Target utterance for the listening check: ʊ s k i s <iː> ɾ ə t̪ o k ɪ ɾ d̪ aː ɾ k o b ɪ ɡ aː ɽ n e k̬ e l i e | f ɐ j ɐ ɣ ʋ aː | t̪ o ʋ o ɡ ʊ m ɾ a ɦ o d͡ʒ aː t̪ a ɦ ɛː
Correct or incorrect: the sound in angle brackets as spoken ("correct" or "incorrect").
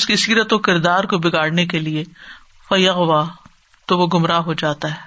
correct